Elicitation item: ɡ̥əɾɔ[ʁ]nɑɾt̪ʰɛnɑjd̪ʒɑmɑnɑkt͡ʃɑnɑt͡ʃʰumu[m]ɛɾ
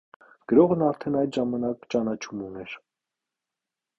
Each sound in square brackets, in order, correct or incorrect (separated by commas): correct, incorrect